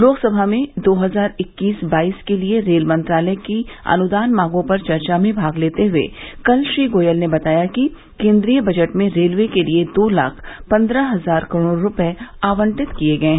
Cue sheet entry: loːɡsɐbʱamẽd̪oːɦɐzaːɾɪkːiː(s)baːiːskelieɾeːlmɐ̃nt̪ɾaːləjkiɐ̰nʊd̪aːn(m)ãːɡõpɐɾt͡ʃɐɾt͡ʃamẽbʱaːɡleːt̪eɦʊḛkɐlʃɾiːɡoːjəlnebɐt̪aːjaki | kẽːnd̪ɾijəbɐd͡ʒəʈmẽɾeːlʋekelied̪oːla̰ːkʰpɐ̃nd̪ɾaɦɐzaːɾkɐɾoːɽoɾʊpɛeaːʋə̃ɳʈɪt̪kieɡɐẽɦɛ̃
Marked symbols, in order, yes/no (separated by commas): yes, yes